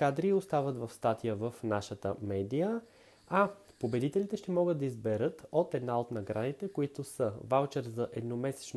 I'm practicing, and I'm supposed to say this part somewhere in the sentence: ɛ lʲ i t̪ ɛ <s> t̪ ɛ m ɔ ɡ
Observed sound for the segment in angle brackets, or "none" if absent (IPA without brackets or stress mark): ʃ